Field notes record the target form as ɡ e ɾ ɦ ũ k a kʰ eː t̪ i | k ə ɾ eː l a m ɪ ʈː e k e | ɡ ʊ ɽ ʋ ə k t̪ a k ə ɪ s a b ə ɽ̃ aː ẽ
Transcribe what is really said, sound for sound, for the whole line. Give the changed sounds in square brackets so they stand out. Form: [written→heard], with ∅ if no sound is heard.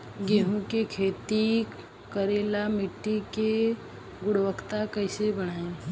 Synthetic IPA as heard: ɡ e [ɾ→∅] ɦ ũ k [a→e] kʰ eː t̪ i | k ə ɾ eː l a m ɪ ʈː [e→i] k e | ɡ ʊ ɽ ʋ ə k t̪ a k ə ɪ s [a→e] b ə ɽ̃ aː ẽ

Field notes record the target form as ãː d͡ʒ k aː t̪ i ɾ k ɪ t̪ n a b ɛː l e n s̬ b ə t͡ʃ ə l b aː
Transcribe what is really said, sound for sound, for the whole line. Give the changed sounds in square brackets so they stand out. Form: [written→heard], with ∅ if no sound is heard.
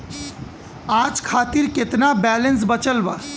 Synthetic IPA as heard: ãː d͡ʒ [k→kʰ] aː t̪ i ɾ k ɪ t̪ n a b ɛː l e n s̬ b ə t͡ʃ ə l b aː

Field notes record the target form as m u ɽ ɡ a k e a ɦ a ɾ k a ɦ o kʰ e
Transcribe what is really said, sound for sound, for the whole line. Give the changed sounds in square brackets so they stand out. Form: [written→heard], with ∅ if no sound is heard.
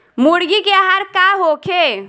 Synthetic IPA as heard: m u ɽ ɡ [a→i] k e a ɦ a ɾ k a ɦ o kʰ e

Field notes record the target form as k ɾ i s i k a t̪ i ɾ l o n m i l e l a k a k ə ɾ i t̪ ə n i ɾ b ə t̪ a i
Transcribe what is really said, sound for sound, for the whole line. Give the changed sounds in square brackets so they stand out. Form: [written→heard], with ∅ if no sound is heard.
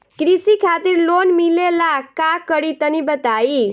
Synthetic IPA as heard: k ɾ i s i [k→kʰ] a t̪ i ɾ l o n m i l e l a k a k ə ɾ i t̪ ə n i [ɾ→∅] b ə t̪ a i

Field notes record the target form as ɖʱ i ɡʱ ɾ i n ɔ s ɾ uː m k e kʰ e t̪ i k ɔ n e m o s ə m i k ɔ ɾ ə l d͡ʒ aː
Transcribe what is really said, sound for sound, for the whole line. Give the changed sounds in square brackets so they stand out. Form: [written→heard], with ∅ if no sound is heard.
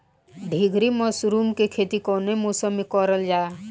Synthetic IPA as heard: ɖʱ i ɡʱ ɾ i [n→m] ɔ s ɾ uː m k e kʰ e t̪ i k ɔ n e m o s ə m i k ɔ ɾ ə l d͡ʒ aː

